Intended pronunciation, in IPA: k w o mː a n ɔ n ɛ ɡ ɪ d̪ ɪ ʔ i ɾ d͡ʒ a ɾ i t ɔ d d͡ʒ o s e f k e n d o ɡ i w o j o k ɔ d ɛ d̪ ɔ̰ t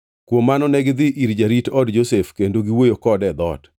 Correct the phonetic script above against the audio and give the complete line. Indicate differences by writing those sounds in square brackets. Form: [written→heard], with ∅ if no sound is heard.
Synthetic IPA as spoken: k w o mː a n ɔ n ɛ ɡ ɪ d̪ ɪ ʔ i ɾ d͡ʒ a ɾ i t ɔ d d͡ʒ o s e f k e n d o ɡ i w o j o k ɔ d ɛ d̪ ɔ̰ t

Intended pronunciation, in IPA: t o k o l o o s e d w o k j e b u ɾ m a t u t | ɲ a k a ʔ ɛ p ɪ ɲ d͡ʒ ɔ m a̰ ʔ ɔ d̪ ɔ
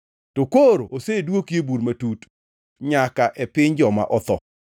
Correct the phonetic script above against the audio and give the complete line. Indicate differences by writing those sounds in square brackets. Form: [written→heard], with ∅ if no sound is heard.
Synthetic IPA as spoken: t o k o [l→ɾ] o o s e d w o k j e b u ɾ m a t u t | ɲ a k a ʔ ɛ p ɪ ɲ d͡ʒ ɔ m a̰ ʔ ɔ [d̪→t̪] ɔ

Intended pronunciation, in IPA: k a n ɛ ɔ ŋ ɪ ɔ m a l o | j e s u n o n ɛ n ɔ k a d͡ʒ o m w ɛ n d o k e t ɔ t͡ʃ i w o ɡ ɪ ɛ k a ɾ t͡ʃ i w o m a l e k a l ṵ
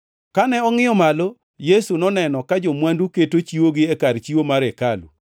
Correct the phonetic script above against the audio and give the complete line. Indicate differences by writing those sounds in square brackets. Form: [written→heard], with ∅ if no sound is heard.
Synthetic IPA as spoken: k a n ɛ ɔ ŋ ɪ ɔ m a l o | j e s u n [o→ɔ] n ɛ n ɔ k a d͡ʒ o m w [ɛ→a] n d [o→u] k e t [ɔ→o] t͡ʃ i w o ɡ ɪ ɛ k a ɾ t͡ʃ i w o m a [l→ɾ] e k a l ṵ

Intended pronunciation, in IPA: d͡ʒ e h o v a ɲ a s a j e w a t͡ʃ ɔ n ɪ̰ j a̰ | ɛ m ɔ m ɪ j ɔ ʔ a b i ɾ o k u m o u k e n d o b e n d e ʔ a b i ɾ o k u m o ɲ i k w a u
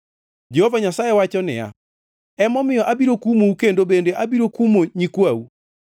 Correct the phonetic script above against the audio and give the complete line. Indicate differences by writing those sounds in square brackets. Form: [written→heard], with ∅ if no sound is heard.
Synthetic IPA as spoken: d͡ʒ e h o v a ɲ a s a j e w a t͡ʃ ɔ n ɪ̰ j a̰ | ɛ m ɔ m ɪ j ɔ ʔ a b i ɾ o k u m o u k e n d o b e n d e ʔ a b i ɾ o k u m o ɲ i k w a u

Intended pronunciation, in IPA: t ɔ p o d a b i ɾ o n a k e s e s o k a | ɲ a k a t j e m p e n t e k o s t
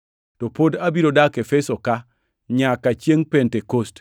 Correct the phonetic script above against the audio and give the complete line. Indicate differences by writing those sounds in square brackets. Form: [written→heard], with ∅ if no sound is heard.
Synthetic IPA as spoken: t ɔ p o d a b i ɾ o [n→d] a k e [s→f] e s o k a | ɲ a k a [t→t͡ʃ] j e [m→ŋ] p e n t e k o s t

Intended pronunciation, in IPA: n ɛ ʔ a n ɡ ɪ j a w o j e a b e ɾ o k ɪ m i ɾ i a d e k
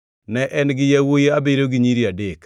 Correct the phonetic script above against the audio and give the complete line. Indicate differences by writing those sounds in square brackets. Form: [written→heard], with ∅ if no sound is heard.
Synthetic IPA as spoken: n ɛ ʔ [a→ɛ] n ɡ ɪ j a w o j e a b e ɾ o [k→ɡ] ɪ [m→ɲ] i ɾ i a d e k

